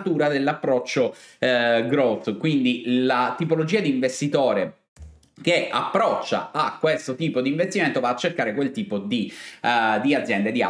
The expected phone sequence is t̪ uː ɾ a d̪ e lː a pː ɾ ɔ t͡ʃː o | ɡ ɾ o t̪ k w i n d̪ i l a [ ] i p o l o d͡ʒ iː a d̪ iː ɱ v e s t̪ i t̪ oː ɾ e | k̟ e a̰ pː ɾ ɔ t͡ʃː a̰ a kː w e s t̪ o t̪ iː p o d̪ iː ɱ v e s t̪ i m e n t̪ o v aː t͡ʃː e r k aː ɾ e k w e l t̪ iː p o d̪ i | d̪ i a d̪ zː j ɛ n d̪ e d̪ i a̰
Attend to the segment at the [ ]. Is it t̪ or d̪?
t̪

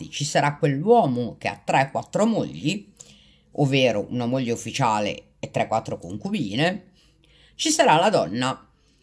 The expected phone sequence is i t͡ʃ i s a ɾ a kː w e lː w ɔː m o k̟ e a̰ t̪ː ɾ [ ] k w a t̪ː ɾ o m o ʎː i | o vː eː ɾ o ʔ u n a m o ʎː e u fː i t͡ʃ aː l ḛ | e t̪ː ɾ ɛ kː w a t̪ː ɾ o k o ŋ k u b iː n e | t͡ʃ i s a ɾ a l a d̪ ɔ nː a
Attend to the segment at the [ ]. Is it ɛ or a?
ɛ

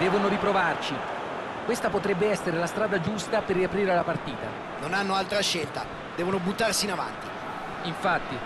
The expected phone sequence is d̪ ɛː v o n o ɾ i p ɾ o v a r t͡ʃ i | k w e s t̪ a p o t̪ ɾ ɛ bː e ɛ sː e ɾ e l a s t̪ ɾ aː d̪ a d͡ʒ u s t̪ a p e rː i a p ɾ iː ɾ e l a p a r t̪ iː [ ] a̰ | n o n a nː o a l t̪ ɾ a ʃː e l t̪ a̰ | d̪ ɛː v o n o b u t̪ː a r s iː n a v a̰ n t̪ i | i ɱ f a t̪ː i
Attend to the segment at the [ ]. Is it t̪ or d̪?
t̪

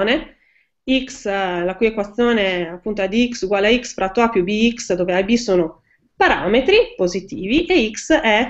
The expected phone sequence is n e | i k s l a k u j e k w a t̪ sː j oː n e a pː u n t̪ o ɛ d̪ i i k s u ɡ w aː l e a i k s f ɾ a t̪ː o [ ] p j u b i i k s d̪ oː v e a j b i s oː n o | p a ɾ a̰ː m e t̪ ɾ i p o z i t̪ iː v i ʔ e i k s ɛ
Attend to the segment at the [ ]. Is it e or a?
a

